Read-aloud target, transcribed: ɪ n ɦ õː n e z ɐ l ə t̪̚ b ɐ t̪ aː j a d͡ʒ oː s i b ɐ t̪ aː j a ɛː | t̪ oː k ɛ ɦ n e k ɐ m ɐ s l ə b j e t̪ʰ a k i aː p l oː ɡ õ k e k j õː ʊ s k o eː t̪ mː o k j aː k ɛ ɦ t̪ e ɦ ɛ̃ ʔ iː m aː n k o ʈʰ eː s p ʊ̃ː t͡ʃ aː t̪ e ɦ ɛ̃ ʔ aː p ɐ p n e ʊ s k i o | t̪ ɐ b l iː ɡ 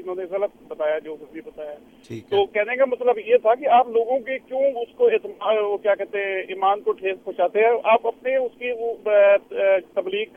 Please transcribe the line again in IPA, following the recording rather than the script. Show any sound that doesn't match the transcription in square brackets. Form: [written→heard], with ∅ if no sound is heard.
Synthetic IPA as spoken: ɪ n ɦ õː n e [z→ɣ] ɐ l ə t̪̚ b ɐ t̪ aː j a d͡ʒ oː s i b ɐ t̪ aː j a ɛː | t̪ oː k ɛ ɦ n e k [ɐ→a] m ɐ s l ə b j e t̪ʰ a k i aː p l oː ɡ õ k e k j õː ʊ s k o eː t̪ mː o k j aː k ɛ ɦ t̪ e ɦ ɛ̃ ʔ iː m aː n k o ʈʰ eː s p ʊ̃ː t͡ʃ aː t̪ e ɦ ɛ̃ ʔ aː p ɐ p n e ʊ s k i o | t̪ ɐ b l iː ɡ